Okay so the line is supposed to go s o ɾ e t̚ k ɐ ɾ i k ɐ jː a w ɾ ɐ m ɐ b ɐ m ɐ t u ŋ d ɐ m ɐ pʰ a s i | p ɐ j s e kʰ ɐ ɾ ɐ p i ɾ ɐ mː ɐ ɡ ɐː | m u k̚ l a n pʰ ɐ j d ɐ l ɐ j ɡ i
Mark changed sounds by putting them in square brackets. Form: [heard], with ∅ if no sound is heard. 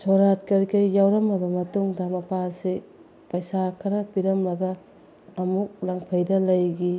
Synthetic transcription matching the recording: s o ɾ [a] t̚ k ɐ ɾ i k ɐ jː a w ɾ ɐ m ɐ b ɐ m ɐ t u ŋ d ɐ m ɐ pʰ a s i | p ɐ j s [a] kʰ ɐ ɾ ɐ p i ɾ ɐ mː ɐ ɡ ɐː | m u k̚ l a [ŋ] pʰ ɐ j d ɐ l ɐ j ɡ i